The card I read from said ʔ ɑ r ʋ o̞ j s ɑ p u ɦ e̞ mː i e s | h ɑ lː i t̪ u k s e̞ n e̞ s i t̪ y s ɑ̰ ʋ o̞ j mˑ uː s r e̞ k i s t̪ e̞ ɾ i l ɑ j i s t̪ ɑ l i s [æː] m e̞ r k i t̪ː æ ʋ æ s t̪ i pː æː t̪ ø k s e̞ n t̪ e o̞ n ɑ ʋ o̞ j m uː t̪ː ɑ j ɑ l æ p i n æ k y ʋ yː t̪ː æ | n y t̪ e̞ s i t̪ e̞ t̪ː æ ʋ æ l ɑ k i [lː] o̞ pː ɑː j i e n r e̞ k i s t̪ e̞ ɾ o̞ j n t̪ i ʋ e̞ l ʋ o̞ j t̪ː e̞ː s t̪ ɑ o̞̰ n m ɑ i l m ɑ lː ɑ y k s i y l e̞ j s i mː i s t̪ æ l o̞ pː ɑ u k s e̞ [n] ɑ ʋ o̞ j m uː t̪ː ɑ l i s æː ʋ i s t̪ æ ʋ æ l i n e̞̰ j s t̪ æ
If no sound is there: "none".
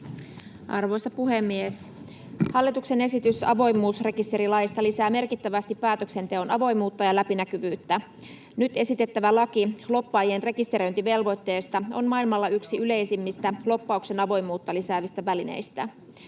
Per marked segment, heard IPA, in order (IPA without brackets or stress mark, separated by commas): æː, l, n